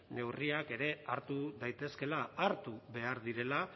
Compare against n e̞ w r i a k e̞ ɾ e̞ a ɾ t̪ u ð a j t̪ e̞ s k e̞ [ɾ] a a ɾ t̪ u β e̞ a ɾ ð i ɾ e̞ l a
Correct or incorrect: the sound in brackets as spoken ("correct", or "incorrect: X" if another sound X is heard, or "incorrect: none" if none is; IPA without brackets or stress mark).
incorrect: l